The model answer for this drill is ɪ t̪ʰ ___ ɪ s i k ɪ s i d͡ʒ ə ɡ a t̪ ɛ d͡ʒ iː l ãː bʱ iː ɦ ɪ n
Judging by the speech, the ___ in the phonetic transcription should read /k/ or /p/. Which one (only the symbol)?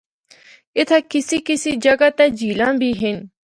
k